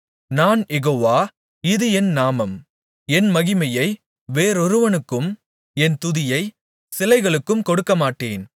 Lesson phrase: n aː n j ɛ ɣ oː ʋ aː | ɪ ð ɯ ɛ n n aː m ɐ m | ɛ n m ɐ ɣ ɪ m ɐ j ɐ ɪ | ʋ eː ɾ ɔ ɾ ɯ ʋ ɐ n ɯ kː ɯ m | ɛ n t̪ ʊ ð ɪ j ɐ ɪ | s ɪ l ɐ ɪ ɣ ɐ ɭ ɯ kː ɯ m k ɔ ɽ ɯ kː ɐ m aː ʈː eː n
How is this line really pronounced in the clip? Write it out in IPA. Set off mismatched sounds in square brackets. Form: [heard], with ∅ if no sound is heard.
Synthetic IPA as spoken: n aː n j ɛ ɣ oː ʋ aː | ɪ ð ɯ ɛ n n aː m ɐ m | ɛ n m ɐ ɣ ɪ m ɐ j ɐ ɪ | ʋ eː ɾ ɔ ɾ ɯ ʋ ɐ n ɯ kː ɯ m | ɛ n t̪ ʊ ð ɪ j ɐ ɪ | s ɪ l ɐ ɪ ɣ ɐ ɭ ɯ kː ɯ m k ɔ ɽ ɯ kː ɐ m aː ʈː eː n